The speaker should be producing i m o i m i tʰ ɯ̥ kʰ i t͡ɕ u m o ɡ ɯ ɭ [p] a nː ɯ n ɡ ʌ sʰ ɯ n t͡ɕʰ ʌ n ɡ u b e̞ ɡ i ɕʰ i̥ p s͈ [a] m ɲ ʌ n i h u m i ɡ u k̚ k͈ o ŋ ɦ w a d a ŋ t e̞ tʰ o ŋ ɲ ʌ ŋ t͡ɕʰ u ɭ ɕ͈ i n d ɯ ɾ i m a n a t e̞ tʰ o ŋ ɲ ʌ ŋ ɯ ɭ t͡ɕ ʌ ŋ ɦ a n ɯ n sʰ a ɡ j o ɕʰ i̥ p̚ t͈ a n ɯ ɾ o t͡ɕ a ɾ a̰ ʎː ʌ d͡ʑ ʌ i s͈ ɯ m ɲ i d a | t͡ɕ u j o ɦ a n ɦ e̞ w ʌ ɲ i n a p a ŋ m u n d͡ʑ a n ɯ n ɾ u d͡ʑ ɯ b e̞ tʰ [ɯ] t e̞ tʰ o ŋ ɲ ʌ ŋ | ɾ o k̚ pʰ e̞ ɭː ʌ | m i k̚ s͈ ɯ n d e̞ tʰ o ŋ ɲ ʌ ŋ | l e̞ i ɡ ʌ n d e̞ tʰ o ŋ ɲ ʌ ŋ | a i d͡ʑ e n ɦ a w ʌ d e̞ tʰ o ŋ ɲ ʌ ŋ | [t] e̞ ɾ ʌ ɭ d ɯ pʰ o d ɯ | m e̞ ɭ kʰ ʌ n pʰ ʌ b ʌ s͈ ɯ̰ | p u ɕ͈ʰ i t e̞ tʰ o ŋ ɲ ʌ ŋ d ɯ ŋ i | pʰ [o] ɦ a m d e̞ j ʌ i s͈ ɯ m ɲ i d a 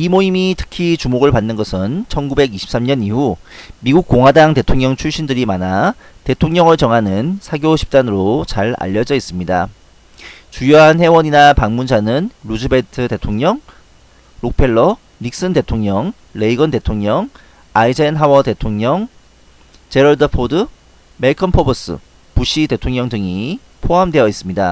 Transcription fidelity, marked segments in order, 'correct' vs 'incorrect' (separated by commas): correct, correct, correct, incorrect, correct